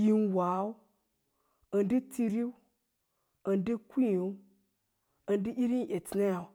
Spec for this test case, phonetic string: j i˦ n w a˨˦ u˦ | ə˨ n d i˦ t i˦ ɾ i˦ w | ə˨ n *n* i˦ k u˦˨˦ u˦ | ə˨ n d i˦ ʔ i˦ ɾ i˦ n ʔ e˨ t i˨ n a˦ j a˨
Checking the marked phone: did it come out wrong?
yes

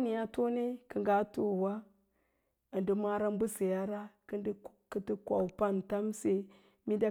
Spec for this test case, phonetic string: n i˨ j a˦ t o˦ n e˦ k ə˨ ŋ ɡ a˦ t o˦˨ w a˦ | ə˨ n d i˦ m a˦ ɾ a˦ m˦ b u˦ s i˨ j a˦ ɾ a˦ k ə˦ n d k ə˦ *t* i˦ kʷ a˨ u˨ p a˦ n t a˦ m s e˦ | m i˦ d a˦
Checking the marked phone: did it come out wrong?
no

